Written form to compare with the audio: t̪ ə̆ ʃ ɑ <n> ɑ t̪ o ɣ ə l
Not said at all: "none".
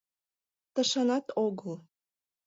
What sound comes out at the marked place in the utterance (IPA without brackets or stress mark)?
n